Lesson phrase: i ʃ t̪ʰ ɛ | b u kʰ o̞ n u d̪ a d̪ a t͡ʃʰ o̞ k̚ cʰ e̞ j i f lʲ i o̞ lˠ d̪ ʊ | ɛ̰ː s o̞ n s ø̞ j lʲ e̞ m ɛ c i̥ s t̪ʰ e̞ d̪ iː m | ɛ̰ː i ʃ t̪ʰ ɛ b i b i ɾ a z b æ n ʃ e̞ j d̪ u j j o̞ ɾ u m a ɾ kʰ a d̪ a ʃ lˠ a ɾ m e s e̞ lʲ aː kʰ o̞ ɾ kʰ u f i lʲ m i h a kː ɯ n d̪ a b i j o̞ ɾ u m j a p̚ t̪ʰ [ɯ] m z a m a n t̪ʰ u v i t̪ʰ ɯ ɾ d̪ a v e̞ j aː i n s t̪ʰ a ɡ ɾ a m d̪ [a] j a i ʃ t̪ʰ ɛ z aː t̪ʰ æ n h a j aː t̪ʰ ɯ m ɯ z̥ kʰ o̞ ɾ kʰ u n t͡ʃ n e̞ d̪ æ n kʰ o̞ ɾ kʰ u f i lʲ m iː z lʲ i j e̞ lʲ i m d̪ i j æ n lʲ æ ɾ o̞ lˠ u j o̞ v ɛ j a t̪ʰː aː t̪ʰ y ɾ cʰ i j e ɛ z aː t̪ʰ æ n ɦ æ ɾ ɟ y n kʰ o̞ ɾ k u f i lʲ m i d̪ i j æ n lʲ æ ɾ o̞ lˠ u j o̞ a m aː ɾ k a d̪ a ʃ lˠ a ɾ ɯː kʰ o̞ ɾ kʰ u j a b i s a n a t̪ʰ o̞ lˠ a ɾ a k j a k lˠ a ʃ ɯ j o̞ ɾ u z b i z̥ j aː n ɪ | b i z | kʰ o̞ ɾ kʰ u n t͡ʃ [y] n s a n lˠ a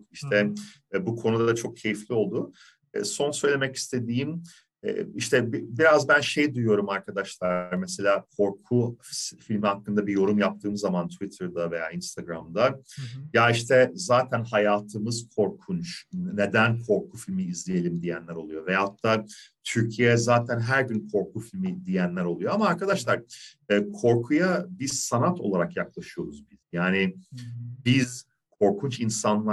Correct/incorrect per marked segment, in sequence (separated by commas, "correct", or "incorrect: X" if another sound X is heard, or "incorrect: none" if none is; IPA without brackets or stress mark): incorrect: ɯː, correct, incorrect: i